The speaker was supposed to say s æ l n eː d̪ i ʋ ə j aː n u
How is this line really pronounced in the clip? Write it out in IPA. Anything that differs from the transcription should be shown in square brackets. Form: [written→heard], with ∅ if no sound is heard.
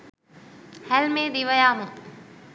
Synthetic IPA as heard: [s→h] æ l [n→m] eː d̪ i ʋ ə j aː [n→m] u